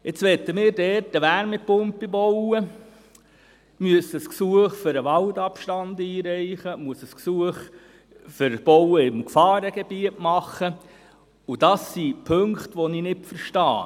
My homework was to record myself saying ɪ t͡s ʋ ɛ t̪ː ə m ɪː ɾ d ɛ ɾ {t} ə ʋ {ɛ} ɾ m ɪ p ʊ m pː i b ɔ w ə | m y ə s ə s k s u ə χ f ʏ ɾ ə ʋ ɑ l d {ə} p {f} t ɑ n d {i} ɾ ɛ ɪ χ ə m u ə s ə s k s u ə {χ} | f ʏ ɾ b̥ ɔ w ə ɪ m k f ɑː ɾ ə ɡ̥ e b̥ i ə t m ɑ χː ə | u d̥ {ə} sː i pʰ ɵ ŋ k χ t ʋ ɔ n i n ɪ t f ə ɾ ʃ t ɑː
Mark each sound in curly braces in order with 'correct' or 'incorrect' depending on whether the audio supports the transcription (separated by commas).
correct, incorrect, incorrect, incorrect, incorrect, correct, incorrect